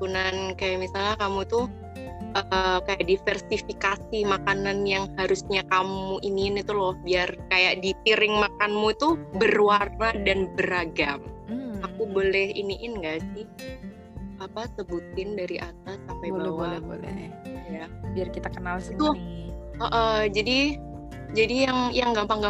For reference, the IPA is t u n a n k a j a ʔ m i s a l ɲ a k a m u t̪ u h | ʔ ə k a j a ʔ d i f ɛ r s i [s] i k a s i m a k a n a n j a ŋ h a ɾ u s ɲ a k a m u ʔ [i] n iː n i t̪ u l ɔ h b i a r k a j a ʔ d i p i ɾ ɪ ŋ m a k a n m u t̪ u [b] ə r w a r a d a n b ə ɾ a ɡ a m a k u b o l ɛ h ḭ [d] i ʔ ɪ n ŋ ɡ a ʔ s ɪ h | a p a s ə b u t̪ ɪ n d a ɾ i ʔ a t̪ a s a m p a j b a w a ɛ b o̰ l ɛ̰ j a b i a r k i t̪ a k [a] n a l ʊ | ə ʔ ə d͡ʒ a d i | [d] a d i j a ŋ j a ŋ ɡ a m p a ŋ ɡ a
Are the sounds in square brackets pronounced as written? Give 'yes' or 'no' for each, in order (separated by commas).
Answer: no, yes, yes, no, no, no